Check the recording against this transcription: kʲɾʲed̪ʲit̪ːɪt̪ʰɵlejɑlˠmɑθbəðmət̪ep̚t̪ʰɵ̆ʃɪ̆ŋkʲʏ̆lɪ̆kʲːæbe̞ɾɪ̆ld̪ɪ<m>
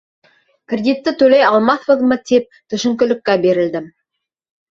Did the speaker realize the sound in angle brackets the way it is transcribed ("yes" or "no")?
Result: yes